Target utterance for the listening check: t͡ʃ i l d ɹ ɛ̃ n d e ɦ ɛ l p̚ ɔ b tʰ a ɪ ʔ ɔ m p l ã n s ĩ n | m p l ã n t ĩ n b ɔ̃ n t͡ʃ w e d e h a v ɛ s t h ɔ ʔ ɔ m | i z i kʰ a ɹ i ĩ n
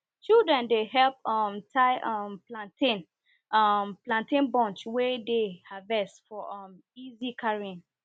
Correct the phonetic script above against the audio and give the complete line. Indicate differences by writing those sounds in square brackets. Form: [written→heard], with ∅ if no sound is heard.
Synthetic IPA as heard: t͡ʃ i l d ɹ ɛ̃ n d e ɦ ɛ l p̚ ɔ [b→m] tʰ a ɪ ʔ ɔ m p l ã n [s→t] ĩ n | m p l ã n t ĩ n b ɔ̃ n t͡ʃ w e d e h a v ɛ s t [h→f] ɔ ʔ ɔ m | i z i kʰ a ɹ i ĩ n